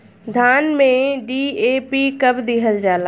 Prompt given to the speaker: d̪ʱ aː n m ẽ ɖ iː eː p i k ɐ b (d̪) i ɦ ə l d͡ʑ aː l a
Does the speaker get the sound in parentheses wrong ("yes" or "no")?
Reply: no